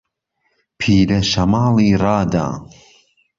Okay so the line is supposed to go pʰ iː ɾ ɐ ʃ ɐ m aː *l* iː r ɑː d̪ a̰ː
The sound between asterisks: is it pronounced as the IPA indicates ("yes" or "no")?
yes